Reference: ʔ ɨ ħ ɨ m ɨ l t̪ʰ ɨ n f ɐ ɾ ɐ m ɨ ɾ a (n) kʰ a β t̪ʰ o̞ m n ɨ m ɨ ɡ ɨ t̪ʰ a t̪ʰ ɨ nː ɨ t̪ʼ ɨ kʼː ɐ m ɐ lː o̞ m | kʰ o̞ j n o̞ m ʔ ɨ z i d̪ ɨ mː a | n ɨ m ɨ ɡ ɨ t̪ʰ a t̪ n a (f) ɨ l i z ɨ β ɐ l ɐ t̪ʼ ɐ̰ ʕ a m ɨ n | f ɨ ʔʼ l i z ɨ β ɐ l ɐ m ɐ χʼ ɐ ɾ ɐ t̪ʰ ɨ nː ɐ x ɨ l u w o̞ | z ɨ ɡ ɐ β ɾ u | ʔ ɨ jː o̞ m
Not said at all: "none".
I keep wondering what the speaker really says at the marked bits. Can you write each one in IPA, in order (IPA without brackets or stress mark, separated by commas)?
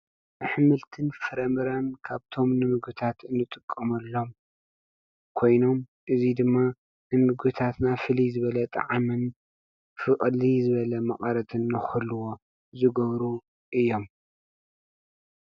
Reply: n, f